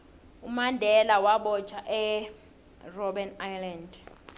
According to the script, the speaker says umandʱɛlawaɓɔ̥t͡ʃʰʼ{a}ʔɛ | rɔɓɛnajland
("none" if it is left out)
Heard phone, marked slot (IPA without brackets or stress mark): a